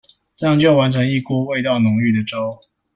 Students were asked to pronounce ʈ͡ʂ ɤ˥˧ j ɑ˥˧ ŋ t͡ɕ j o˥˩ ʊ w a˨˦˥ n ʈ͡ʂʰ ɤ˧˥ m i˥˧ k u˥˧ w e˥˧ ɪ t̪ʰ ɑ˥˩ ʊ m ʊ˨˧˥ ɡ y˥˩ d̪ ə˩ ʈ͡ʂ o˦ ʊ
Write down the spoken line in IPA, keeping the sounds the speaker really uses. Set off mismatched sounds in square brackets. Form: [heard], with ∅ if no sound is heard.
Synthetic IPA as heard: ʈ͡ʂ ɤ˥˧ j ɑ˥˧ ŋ t͡ɕ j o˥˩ ʊ w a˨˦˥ n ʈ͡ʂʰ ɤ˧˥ [ŋ] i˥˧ k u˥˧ w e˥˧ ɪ [t̪] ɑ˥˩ ʊ [n] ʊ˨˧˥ [ŋ] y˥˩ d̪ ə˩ ʈ͡ʂ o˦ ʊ